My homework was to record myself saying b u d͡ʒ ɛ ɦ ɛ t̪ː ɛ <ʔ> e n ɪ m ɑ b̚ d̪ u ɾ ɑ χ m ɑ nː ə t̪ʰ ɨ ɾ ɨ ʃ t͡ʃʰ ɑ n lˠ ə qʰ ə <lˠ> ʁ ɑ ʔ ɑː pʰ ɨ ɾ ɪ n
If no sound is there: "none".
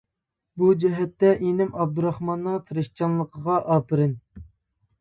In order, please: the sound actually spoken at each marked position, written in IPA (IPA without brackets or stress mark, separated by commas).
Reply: ʔ, none